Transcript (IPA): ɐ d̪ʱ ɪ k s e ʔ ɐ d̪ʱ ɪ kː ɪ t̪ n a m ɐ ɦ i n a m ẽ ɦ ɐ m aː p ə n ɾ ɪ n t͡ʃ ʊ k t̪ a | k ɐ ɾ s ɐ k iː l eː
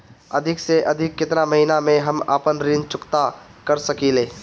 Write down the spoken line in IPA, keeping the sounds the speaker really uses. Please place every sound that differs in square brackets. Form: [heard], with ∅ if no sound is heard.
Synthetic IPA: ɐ d̪ʱ ɪ k s e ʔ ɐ d̪ʱ ɪ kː ɪ t̪ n a m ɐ ɦ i n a m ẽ ɦ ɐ m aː p ə n ɾ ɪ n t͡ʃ ʊ k t̪ a | k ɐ ɾ s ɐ k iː l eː